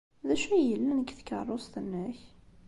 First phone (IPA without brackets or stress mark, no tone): ð